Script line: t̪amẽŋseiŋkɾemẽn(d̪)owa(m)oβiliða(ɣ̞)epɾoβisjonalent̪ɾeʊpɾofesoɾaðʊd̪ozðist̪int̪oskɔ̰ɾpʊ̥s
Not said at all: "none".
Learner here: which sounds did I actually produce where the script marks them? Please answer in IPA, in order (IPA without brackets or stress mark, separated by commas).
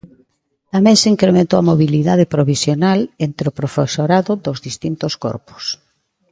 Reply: t̪, m, ð̞